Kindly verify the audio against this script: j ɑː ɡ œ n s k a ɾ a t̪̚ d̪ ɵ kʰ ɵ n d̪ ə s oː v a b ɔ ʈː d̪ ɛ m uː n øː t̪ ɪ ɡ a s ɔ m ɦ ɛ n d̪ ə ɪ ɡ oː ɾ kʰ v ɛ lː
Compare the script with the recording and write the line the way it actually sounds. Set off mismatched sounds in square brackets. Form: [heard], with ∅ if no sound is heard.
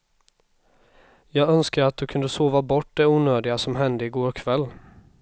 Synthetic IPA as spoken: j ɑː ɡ œ n s k a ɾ a t̪̚ d̪ ɵ kʰ ɵ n d̪ ə s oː v a b ɔ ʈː d̪ ɛ [∅] uː n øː [d̪] ɪ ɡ a s ɔ m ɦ ɛ n d̪ ə ɪ ɡ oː ɾ kʰ v ɛ lː